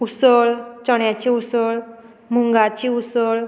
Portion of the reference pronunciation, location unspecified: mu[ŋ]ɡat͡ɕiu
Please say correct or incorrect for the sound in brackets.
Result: correct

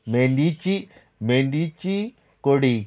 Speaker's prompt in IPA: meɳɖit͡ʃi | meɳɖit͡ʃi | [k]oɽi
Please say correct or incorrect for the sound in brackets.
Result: correct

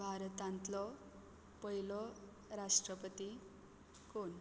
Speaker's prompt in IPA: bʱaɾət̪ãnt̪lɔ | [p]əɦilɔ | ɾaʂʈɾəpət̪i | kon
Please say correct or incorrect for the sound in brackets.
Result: correct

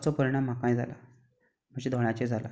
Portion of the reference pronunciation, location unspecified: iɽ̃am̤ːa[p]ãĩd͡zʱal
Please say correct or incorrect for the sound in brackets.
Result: incorrect: k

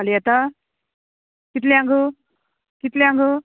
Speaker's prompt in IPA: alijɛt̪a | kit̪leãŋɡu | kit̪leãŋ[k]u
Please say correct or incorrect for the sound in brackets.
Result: incorrect: ɡ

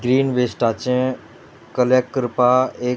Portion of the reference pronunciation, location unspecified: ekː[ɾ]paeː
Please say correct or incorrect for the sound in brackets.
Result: correct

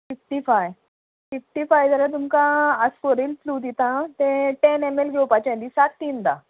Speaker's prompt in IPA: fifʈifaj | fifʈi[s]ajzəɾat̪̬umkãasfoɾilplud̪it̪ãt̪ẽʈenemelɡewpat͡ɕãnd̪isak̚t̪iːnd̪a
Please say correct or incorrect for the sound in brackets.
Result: incorrect: f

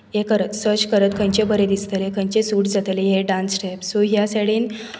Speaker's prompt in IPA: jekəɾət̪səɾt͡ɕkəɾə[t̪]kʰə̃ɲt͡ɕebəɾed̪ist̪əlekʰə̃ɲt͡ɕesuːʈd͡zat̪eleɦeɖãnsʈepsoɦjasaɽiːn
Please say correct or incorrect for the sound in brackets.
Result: correct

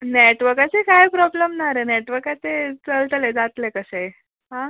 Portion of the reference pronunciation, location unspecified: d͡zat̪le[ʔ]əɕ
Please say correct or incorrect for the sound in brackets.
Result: incorrect: k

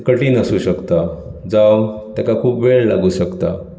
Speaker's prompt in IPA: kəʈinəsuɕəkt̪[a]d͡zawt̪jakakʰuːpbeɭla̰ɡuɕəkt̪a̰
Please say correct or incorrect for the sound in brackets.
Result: correct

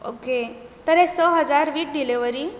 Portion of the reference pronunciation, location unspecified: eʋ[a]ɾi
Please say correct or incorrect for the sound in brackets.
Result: incorrect: ə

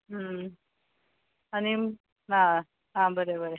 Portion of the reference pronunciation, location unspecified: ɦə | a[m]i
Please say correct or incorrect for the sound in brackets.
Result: incorrect: n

